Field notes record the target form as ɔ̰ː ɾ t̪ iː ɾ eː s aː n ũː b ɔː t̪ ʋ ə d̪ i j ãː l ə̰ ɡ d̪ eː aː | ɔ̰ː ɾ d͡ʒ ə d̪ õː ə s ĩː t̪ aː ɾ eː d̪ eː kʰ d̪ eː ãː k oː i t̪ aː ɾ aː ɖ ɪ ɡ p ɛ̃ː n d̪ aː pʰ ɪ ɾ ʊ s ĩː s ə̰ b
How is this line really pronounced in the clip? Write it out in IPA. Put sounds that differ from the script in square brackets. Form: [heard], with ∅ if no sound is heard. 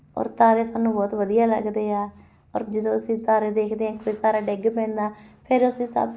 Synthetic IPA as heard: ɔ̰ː ɾ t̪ [aː] ɾ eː s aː n ũː b ɔː t̪ ʋ ə d̪ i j [aː] l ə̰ ɡ d̪ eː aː | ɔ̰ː ɾ d͡ʒ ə d̪ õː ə s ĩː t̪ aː ɾ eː d̪ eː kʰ d̪ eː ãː k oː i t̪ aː ɾ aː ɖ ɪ ɡ p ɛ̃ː n d̪ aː pʰ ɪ ɾ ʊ s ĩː s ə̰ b